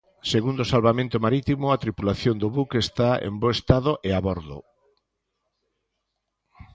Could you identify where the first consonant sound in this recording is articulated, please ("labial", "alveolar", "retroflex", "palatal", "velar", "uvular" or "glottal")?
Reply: alveolar